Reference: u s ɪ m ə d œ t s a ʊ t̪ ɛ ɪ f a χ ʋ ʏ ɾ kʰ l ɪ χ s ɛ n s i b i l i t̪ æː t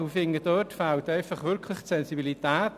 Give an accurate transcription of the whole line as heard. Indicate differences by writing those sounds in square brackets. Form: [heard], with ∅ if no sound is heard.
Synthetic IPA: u [f] ɪ [ŋ] ə d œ t [f] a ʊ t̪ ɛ ɪ f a χ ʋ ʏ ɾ kʰ l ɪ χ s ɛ n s i b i l i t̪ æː t